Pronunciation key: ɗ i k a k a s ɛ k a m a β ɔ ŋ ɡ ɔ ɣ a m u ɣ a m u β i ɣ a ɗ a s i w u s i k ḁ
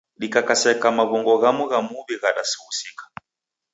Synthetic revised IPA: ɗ i k a k a s ɛ k a m a β ɔ ŋ ɡ ɔ ɣ a m u ɣ a m u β i ɣ a ɗ a s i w u s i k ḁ